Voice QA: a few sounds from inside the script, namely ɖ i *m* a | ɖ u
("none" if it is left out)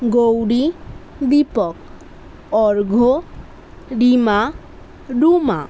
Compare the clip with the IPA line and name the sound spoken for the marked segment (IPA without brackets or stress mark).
m